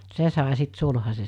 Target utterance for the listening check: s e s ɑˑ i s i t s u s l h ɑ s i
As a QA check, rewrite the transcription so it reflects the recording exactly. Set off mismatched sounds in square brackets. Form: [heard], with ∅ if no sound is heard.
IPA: s e s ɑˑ [e] s i t s u [∅] l h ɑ s [e]